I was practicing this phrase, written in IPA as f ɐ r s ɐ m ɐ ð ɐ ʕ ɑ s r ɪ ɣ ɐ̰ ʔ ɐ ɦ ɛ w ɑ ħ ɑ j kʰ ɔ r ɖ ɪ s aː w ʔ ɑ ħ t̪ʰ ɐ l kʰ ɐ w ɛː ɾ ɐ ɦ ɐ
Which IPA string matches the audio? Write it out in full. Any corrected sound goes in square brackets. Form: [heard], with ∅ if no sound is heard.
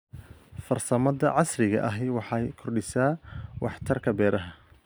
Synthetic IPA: f ɐ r s ɐ m ɐ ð ɐ ʕ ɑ s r ɪ ɣ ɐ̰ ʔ ɐ ɦ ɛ w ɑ ħ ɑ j kʰ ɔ r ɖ ɪ s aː w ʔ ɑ ħ t̪ʰ ɐ [r] kʰ ɐ [b] ɛː ɾ ɐ ɦ ɐ